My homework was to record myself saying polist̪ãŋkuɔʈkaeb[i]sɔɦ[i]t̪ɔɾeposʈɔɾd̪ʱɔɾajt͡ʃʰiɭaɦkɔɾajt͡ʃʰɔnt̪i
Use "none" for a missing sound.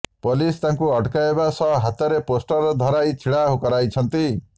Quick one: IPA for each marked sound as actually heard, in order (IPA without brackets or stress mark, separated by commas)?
a, a